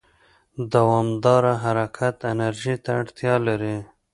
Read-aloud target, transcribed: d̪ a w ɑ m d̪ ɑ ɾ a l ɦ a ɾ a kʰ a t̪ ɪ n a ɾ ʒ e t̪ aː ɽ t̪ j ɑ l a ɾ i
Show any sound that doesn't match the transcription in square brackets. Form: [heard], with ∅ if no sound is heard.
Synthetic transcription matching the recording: d̪ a w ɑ m d̪ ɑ ɾ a [∅] ɦ a ɾ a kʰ a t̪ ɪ n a ɾ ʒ [i] t̪ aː ɽ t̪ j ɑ l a ɾ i